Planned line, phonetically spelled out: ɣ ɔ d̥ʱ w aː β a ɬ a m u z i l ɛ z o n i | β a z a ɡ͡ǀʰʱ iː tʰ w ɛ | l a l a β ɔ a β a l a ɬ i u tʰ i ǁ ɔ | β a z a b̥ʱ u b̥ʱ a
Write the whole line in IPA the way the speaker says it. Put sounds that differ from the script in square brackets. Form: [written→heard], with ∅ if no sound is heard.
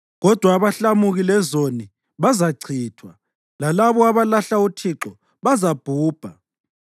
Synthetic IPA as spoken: ɣ ɔ d̥ʱ w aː β a ɬ a m u [z→ɣ] i l ɛ z o n i | β a z a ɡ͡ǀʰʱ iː tʰ w [ɛ→a] | l a l a β ɔ a β a l a ɬ [i→a] u tʰ i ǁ ɔ | β a z a b̥ʱ [u→uː] b̥ʱ a

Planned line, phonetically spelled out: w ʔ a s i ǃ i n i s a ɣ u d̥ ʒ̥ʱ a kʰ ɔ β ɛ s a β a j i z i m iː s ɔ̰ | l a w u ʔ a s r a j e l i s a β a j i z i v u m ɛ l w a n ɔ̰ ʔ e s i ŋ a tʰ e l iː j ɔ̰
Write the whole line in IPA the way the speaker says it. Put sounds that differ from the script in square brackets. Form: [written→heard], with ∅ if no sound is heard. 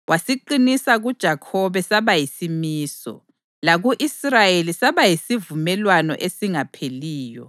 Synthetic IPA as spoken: w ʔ a s i ǃ i n i s a ɣ u d̥ ʒ̥ʱ a kʰ ɔ β ɛ s a β a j i [z→s] i m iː s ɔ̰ | l a [w→ɣ] u ʔ [a→i] s r a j e l i s a β a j i [z→s] i v u m ɛ l w a n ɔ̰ ʔ e s i ŋ a [tʰ→pʰ] e l iː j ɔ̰

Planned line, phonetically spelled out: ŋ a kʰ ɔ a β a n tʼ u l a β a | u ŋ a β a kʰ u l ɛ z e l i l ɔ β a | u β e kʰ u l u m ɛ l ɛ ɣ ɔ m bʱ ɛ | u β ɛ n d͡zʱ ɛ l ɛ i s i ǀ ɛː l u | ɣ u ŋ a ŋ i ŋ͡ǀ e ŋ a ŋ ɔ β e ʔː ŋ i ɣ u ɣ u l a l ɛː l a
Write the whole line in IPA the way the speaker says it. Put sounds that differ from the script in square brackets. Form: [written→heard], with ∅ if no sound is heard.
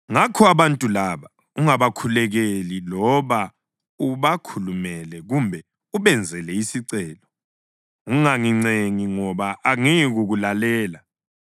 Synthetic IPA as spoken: ŋ a kʰ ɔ a β a n tʼ u l a β a | u ŋ a β a kʰ u l ɛ [z→ɣ] e l i l ɔ β a | u β [e→a] kʰ u l u m ɛ l ɛ ɣ [ɔ→u] m bʱ ɛ | u β ɛ n d͡zʱ ɛ l ɛ i s i ǀ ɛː l [u→ɔ] | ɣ u ŋ a ŋ i ŋ͡ǀ e ŋ [a→i] ŋ ɔ β [e→a] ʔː ŋ i ɣ u ɣ u l a l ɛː l a

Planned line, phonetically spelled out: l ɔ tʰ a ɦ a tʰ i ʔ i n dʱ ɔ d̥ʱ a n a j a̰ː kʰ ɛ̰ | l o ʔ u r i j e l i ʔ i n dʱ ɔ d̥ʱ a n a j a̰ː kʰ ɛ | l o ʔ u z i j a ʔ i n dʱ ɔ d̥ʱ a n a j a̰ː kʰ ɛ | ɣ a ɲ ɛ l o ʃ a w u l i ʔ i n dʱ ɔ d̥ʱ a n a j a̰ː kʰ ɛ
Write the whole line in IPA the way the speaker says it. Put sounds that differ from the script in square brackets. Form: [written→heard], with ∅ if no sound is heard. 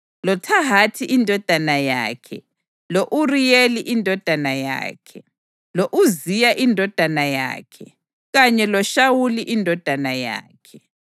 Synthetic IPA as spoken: l ɔ tʰ a ɦ a tʰ i ʔ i n dʱ ɔ d̥ʱ a n a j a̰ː kʰ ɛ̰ | l o ʔ u r i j e l i ʔ i n dʱ ɔ d̥ʱ a n a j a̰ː kʰ ɛ | l o ʔ u z i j a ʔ i n dʱ ɔ d̥ʱ a n a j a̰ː kʰ ɛ | ɣ a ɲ ɛ l [o→ɔ] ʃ a w u l i ʔ i n dʱ ɔ d̥ʱ a n a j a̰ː kʰ ɛ

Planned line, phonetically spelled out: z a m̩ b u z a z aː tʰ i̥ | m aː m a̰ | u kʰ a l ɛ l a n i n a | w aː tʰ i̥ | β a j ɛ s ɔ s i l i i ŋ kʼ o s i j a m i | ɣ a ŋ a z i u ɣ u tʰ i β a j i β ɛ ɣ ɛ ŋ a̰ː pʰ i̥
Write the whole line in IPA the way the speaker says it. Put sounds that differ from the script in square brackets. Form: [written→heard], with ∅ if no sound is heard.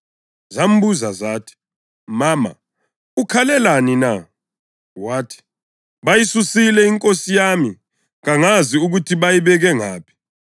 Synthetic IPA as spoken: z a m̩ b u z a z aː tʰ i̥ | m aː m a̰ | u kʰ a l ɛ l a n i n a | w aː tʰ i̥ | β a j [ɛ→i] s [ɔ→u] s i l [i→ɛ] i ŋ kʼ o s i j a m i | ɣ a ŋ a z i u ɣ u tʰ i β a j i β ɛ ɣ ɛ ŋ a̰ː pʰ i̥

